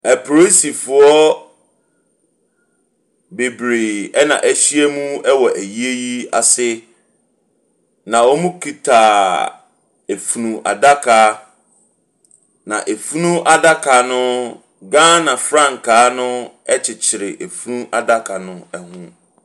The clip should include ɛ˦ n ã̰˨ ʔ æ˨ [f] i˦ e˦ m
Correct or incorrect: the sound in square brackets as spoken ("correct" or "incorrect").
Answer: incorrect